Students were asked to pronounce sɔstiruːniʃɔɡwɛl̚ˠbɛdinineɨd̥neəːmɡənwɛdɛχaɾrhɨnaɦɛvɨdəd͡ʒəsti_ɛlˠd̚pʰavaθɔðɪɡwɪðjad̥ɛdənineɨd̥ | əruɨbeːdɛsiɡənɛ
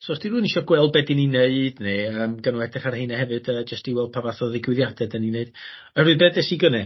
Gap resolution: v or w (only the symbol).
w